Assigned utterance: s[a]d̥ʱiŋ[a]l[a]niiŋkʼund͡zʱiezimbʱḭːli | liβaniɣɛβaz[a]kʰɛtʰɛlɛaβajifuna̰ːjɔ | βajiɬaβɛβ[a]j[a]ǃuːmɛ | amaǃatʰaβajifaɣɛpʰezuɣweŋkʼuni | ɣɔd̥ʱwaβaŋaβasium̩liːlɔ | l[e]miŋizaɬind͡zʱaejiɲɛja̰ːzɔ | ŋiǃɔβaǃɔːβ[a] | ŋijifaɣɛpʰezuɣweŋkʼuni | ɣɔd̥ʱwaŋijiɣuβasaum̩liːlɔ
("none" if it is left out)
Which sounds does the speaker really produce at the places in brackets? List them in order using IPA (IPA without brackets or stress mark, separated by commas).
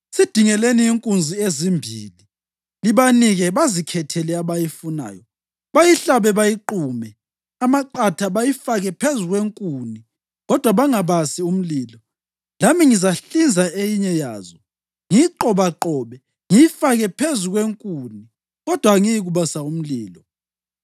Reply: i, ɛ, e, i, a, i, a, ɛ